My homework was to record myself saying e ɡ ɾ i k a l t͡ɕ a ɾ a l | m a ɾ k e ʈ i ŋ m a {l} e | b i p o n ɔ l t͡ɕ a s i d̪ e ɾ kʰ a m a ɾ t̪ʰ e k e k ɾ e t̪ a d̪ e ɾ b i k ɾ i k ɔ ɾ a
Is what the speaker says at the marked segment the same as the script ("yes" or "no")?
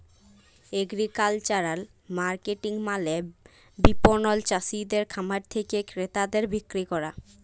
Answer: yes